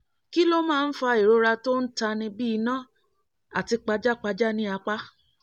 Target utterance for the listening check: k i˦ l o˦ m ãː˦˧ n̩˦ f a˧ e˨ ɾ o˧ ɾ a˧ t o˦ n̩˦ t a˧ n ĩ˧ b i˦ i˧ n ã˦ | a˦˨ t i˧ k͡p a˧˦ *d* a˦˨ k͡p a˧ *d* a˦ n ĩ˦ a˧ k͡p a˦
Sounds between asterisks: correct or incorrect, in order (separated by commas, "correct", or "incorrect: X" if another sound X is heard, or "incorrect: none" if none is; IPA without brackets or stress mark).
incorrect: d͡ʒ, incorrect: d͡ʒ